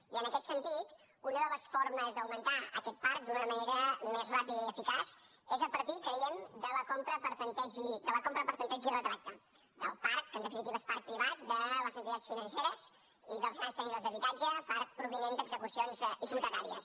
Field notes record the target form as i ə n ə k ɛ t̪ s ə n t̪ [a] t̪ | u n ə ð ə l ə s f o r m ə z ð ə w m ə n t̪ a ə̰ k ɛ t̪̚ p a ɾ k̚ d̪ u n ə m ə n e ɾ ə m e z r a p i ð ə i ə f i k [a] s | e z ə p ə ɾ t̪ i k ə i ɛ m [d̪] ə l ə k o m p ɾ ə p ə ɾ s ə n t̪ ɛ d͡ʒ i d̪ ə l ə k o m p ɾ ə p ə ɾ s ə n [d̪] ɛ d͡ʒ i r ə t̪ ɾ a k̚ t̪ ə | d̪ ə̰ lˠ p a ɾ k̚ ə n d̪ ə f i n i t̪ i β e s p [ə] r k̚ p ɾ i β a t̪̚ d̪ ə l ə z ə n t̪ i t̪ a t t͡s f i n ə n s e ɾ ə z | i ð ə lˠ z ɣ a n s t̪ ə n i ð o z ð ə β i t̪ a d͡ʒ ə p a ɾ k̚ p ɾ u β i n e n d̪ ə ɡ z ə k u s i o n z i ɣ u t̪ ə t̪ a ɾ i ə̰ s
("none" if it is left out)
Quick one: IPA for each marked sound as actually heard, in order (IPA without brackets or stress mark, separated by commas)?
i, a, d̪, t̪, a